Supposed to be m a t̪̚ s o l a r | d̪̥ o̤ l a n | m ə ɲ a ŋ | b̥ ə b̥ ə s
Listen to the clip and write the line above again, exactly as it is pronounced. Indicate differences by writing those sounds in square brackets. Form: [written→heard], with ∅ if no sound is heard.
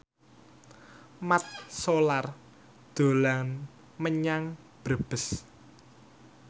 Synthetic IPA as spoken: m a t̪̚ s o l a r | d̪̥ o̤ l a n | m ə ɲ a ŋ | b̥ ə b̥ ə s